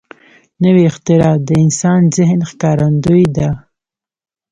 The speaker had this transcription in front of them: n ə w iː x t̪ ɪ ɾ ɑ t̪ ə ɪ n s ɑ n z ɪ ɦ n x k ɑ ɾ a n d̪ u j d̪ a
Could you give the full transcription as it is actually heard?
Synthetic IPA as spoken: n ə w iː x t̪ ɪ ɾ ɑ d̪ ə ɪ n s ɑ n z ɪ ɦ n x k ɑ ɾ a n d̪ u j d̪ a

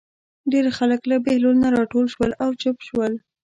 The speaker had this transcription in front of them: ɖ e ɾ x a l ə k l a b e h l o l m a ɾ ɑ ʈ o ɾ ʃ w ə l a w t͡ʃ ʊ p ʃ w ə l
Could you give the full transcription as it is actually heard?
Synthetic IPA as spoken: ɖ e ɾ x a l ə k l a b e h l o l n a ɾ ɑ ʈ o l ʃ w ə l a w t͡ʃ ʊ p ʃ w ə l

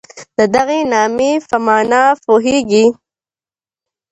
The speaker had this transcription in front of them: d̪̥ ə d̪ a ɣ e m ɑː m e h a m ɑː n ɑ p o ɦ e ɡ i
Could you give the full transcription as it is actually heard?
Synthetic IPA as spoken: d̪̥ ə d̪ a ɣ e n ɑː m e f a m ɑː n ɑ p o ɦ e ɡ i

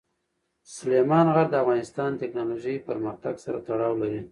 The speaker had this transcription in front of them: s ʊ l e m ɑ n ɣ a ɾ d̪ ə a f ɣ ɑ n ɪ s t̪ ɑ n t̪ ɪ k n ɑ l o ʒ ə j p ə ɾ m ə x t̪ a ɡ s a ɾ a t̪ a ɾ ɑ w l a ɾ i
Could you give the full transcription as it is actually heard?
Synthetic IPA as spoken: s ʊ l e m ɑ n ɣ a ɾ d̪ ə a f ɣ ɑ n ɪ s t̪ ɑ n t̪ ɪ k n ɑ l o ʒ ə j p ə ɾ m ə x t̪ a ɡ s a ɾ a t̪ a ɽ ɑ w l a ɾ i

